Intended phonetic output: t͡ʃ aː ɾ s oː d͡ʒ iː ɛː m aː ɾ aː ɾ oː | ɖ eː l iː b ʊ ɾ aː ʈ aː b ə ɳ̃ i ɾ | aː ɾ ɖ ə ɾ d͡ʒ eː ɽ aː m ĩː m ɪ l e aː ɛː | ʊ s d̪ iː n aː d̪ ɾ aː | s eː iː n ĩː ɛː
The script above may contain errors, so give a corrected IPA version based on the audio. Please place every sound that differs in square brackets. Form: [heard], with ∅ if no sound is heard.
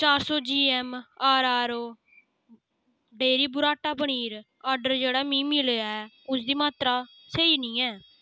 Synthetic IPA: t͡ʃ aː ɾ s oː d͡ʒ iː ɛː m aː ɾ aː ɾ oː | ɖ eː [ɾ] iː b ʊ ɾ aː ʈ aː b ə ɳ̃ [iː] ɾ | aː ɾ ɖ ə ɾ d͡ʒ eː ɽ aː m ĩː m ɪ l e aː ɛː | ʊ s d̪ iː [m] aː [t̪] ɾ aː | s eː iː n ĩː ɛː